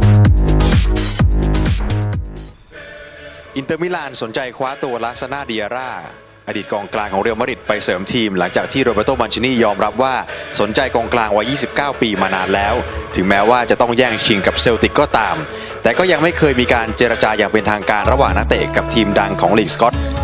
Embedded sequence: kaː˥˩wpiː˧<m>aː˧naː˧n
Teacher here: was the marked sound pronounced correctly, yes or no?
yes